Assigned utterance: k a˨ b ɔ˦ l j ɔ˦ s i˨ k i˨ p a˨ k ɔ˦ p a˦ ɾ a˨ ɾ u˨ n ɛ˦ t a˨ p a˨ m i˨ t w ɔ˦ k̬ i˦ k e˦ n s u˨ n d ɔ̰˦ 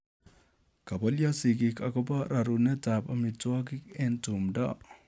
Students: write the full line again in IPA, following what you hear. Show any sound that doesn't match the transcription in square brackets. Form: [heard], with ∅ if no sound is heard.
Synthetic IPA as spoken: k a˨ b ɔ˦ l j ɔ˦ s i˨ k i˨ [k] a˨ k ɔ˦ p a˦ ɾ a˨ ɾ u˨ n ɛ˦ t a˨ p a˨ m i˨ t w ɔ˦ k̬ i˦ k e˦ n [t] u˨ [m] d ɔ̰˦